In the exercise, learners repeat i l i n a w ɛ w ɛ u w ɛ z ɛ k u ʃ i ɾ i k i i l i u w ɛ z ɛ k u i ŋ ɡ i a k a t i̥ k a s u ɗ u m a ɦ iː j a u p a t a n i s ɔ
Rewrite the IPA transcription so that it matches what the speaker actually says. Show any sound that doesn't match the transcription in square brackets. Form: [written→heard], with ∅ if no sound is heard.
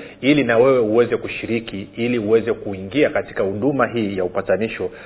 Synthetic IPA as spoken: i l i n a w ɛ w ɛ u w ɛ z ɛ k u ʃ i ɾ i k i i l i u w ɛ z ɛ k u i ŋ ɡ i a k a t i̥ k a [s→h] u ɗ u m a ɦ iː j a u p a t a n i [s→ʃ] ɔ